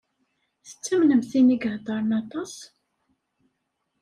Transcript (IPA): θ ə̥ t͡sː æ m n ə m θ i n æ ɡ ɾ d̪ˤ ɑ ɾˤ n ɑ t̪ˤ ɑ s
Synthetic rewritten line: θ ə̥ t͡sː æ m n ə m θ i n i ɡ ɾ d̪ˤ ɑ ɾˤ n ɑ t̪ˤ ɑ s